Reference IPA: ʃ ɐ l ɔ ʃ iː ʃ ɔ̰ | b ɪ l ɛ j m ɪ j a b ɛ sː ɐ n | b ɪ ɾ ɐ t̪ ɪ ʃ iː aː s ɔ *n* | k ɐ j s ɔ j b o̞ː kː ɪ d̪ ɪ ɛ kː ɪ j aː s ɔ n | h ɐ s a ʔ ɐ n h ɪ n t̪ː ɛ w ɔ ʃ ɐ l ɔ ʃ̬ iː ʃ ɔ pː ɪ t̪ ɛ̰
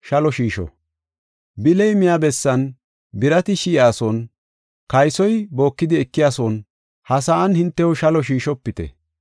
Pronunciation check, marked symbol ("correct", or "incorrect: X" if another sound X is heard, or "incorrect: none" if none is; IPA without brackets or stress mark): correct